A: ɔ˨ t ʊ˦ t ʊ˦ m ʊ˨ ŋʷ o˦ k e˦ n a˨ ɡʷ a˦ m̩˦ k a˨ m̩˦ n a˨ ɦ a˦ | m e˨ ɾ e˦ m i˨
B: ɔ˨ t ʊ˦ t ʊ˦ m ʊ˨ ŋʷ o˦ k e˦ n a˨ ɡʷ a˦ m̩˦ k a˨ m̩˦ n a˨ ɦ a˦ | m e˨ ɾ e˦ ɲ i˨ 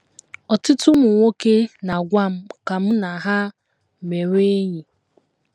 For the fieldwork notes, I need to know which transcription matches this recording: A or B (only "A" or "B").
B